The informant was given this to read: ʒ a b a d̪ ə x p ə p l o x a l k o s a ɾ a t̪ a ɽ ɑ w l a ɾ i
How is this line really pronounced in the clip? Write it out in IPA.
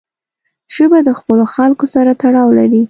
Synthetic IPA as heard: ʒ ə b a d̪ ə x p ə l o x a l k o s a ɾ a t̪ a ɽ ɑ w l a ɾ i